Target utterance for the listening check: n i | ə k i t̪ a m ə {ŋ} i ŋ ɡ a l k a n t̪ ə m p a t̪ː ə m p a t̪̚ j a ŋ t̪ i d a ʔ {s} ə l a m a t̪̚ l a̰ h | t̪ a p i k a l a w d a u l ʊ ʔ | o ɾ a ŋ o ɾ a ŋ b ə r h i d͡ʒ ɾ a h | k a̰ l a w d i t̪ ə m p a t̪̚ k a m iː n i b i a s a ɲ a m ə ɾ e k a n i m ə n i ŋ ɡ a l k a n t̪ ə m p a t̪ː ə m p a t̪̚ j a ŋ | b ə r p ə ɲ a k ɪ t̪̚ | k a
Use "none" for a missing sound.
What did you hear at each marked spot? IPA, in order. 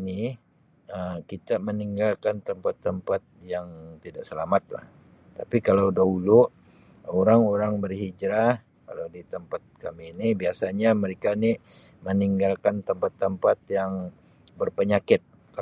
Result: n, s

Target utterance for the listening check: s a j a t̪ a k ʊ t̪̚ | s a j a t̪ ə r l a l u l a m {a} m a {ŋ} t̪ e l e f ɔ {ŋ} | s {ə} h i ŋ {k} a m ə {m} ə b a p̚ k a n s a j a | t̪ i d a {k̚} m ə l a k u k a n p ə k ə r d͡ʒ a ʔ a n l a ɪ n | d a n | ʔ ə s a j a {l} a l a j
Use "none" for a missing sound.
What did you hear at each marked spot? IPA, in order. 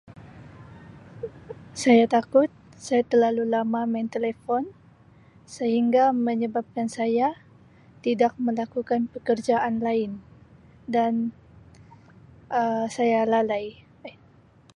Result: a, n, n, ə, ɡ, ɲ, k̚, l

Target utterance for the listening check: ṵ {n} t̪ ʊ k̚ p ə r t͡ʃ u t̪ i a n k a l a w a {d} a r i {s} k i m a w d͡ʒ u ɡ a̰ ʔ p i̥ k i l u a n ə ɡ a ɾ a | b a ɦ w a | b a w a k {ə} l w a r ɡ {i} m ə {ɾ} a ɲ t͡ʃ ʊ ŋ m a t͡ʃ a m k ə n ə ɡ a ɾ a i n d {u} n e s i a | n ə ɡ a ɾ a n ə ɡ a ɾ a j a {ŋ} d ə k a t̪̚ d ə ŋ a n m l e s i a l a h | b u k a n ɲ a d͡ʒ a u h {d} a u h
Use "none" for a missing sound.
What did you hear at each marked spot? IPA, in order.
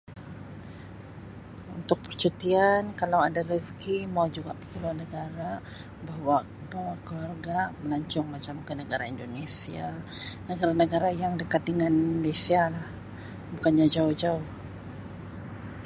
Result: n, d, s, ə, a, l, o, ŋ, d͡ʒ

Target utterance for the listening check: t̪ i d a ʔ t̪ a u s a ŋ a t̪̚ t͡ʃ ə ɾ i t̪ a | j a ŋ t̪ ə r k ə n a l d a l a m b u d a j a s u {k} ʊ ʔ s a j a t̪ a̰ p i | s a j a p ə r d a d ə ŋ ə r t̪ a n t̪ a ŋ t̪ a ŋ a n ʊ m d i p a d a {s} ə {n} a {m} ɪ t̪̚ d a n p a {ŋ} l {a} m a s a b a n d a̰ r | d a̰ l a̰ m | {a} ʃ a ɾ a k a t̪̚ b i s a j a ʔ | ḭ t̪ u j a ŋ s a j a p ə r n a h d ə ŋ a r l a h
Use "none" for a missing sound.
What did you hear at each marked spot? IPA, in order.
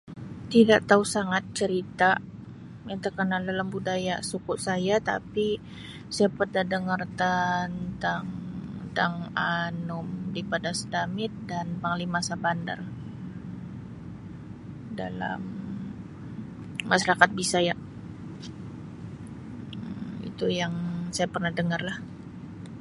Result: k, s, d, m, ŋ, i, a

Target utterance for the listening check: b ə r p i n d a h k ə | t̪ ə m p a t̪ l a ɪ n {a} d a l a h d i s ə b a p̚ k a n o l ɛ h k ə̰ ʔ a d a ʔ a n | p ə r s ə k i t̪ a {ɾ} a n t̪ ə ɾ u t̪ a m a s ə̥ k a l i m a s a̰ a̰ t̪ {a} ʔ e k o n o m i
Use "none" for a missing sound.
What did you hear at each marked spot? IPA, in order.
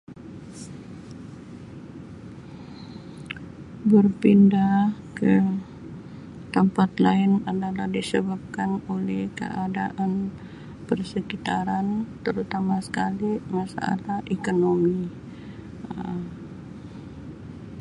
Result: a, ɾ, a

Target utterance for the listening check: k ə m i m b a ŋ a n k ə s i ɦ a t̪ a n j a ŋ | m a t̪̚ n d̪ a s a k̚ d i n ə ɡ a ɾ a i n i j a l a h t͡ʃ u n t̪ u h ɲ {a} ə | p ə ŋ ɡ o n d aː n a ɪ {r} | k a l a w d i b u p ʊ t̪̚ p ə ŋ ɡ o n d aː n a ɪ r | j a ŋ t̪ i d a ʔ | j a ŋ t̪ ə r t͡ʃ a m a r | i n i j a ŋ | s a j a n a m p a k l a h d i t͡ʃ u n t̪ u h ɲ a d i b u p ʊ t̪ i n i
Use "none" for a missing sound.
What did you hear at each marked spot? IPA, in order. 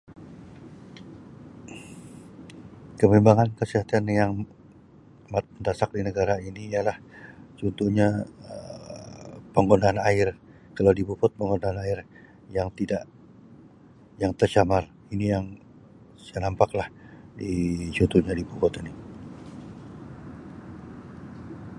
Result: a, r

